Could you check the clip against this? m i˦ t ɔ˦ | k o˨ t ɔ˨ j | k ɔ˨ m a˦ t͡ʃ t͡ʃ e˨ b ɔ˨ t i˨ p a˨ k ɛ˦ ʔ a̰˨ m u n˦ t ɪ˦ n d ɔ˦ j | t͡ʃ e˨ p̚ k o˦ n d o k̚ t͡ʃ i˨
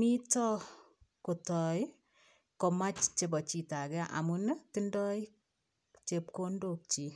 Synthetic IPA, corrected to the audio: m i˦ t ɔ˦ | k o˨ t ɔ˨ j | k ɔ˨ m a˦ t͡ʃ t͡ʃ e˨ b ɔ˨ t͡ʃ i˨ t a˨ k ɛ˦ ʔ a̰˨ m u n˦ t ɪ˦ n d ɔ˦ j | t͡ʃ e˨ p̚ k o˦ n d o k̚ t͡ʃ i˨